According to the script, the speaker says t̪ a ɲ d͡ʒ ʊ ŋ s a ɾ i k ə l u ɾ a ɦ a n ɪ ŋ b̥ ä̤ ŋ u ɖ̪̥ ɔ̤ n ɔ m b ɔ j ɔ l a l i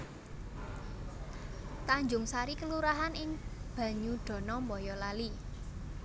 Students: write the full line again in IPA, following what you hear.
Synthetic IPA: t̪ a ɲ d͡ʒ ʊ ŋ s a ɾ i k ə l u ɾ a ɦ a n ɪ ŋ b̥ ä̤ ɲ u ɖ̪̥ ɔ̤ n ɔ m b ɔ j ɔ l a l i